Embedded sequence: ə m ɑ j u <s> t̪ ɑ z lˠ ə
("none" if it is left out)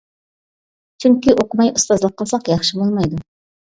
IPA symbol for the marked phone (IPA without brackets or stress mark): s